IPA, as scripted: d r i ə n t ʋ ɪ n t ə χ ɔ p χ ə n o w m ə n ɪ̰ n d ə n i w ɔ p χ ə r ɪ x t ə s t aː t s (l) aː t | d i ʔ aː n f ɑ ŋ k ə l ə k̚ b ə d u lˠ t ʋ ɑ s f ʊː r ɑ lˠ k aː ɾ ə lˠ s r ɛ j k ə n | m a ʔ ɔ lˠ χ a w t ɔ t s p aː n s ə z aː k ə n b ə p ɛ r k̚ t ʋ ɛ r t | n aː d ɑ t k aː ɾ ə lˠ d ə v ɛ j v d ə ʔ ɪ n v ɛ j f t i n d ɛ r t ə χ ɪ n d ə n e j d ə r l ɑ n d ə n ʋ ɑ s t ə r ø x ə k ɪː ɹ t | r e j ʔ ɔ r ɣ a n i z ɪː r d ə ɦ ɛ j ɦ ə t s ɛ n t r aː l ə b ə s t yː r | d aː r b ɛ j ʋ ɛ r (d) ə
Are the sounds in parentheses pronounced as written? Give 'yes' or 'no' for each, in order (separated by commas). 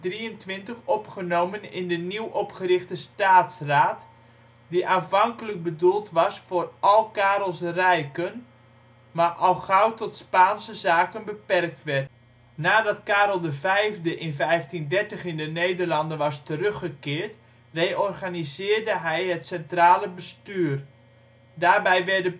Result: no, yes